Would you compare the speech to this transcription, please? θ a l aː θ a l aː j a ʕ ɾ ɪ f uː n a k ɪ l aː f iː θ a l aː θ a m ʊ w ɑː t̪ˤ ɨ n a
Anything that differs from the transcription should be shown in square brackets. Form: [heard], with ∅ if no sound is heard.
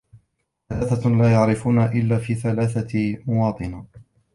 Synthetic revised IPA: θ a l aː θ a l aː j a ʕ ɾ ɪ f uː n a [ʔ] ɪ [lː] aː f iː θ a l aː θ a m ʊ w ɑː t̪ˤ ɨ n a